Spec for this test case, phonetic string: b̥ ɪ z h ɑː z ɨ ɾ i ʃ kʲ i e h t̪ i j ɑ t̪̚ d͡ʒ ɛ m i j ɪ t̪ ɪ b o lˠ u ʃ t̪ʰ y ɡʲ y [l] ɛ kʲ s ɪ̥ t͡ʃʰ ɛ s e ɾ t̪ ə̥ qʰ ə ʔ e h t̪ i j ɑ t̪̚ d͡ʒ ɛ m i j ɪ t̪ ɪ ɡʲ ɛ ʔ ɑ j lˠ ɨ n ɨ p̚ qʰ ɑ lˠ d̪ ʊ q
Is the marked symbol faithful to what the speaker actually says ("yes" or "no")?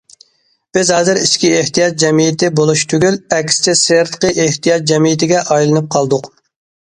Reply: yes